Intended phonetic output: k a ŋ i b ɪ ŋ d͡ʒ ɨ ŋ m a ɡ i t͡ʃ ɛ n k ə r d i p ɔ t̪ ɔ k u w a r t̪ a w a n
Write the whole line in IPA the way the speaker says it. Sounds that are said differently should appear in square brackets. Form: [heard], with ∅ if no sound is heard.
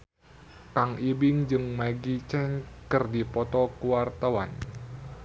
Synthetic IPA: k a ŋ i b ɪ ŋ d͡ʒ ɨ ŋ m a ɡ i t͡ʃ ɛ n k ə r d i p ɔ t̪ ɔ k u w a r t̪ a w a n